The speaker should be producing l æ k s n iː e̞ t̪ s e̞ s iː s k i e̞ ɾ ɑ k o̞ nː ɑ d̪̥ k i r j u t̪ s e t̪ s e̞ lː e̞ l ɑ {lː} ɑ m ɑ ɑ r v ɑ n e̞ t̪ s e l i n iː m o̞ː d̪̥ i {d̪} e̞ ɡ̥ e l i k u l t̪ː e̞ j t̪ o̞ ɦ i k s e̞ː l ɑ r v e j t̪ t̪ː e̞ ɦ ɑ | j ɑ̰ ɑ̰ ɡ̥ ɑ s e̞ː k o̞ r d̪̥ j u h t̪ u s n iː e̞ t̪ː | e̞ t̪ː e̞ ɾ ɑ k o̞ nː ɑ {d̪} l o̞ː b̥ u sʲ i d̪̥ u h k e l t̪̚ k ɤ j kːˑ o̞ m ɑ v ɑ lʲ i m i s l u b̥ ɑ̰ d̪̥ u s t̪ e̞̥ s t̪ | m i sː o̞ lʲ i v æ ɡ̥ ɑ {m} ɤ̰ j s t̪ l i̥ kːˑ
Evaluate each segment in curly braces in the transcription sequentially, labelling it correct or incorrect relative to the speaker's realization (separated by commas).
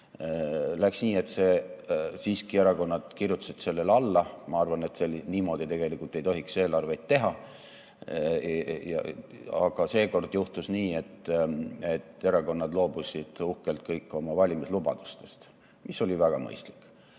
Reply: correct, incorrect, correct, correct